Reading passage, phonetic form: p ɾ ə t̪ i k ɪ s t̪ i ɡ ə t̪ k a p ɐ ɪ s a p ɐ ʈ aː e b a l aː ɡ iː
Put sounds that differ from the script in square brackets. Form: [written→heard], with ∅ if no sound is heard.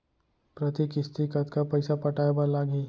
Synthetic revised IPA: p ɾ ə t̪ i k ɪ s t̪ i [ɡ→k] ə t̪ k a p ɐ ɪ s a p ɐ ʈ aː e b a l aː ɡ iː

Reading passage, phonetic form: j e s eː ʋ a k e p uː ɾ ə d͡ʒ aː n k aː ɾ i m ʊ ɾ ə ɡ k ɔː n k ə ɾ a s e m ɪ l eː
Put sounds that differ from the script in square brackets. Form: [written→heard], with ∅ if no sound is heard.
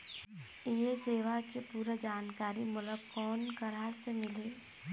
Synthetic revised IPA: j e s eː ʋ a k e p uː ɾ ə d͡ʒ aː n k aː ɾ i m ʊ [ɾ→l] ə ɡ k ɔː n k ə ɾ a s e m ɪ l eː

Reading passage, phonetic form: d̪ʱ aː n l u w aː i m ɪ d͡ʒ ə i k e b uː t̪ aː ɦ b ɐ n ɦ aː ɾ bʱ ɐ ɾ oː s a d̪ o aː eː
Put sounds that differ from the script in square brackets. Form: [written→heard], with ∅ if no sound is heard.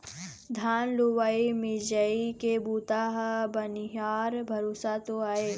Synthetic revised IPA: d̪ʱ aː n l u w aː i m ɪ d͡ʒ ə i k e b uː t̪ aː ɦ b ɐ n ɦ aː ɾ bʱ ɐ ɾ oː s a [d̪→t̪] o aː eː

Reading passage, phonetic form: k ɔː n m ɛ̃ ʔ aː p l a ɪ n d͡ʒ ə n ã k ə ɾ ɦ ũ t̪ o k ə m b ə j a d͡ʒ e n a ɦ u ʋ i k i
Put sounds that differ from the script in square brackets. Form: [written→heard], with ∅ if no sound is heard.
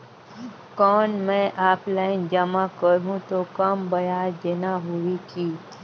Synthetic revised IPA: k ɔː n m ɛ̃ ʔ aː p l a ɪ n d͡ʒ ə [n→m] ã k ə ɾ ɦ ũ t̪ o k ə m b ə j a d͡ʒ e n a ɦ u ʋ i k i

